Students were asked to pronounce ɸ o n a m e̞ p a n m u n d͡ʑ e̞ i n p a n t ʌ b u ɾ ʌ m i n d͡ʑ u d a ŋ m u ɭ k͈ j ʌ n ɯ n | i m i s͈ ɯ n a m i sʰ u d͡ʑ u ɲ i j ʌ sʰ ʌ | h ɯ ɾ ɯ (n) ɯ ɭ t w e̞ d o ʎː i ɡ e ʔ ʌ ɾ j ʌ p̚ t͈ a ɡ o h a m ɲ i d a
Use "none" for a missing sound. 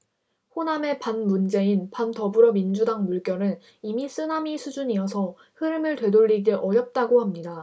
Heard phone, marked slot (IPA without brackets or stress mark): m